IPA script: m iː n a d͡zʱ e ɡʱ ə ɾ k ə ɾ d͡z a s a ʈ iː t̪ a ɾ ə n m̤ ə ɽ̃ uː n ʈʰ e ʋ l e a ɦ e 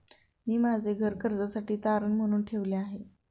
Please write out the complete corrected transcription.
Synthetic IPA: m iː m a d͡zʱ e ɡʱ ə ɾ k ə ɾ d͡z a s a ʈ iː t̪ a ɾ ə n m̤ ə ɽ̃ uː n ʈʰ e ʋ l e a ɦ e